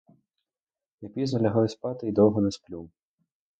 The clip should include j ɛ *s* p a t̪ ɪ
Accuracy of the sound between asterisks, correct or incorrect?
correct